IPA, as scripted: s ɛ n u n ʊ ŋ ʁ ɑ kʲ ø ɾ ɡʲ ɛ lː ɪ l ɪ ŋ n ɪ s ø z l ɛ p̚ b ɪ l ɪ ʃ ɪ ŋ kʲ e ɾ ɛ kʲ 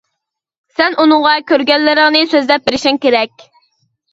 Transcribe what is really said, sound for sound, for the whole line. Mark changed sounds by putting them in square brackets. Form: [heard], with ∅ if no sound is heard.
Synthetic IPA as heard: s ɛ n u n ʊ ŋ ʁ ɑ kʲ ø ɾ ɡʲ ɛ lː ɪ [ɾ] ɪ ŋ n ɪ s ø z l ɛ p̚ b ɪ [ɾ] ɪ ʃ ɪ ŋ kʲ e ɾ ɛ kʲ